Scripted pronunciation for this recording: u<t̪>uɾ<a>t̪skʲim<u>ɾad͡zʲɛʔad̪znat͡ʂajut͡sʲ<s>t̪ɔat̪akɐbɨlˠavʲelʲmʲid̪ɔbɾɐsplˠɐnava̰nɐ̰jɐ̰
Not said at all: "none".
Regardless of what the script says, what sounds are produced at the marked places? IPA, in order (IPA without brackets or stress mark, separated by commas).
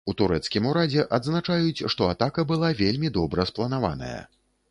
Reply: t̪, ɛ, u, ʂ